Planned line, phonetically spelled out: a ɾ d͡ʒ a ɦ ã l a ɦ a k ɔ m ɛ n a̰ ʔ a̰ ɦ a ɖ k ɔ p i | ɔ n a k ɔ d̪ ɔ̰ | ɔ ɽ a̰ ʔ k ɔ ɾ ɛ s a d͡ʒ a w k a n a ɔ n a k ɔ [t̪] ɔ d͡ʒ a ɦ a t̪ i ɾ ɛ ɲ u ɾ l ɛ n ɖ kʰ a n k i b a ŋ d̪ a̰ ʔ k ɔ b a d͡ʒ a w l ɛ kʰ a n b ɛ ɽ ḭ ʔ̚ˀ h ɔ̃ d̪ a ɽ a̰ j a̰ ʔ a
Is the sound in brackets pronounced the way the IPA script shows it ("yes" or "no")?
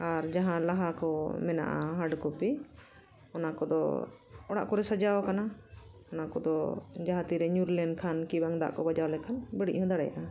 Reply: no